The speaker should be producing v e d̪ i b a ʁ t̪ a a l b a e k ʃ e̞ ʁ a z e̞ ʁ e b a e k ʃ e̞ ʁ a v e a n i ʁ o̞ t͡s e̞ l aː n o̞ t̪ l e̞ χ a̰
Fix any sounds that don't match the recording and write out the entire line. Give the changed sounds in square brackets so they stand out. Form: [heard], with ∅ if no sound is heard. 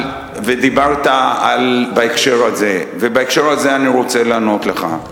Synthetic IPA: v e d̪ i b a ʁ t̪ a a l b a e k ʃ e̞ ʁ a z e̞ [v] e b a e k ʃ e̞ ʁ a [z] e a n i ʁ o̞ t͡s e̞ l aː n o̞ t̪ l e̞ χ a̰